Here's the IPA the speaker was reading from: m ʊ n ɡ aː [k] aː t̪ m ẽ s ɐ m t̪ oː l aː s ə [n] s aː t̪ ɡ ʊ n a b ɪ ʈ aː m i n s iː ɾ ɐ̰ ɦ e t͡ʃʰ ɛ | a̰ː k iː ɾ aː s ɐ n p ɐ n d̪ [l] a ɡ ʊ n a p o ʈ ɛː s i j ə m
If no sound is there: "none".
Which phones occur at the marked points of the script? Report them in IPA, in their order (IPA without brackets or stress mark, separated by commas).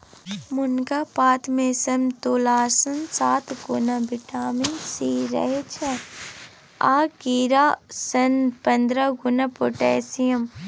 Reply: p, n, ɾ